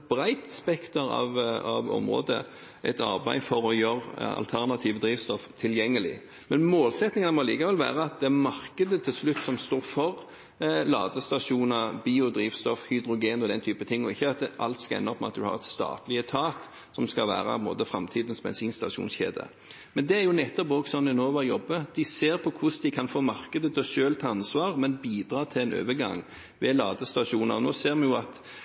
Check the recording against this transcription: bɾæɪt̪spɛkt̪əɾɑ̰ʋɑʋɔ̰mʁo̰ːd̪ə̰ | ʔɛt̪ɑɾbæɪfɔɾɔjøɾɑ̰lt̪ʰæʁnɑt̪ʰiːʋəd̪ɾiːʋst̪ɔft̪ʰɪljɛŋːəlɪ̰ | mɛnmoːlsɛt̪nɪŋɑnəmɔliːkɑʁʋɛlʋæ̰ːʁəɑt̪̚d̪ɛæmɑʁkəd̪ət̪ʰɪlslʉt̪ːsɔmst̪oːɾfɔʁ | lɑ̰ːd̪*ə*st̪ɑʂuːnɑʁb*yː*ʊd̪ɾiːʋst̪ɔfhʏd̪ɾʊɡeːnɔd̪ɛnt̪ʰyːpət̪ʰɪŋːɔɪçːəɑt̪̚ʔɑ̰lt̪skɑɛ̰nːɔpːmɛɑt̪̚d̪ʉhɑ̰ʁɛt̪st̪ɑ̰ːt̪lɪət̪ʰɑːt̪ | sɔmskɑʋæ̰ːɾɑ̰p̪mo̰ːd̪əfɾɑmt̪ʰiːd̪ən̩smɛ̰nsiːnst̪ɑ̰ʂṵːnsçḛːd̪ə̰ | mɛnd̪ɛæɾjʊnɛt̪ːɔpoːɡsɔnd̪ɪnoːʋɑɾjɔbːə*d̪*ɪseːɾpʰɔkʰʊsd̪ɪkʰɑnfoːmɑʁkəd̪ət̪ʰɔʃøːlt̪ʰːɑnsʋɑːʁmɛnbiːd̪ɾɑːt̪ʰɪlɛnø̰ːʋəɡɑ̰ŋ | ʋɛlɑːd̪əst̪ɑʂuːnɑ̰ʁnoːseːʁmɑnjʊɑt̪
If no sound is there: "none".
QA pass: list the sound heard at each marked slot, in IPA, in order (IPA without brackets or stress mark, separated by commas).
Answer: ə, iː, d̪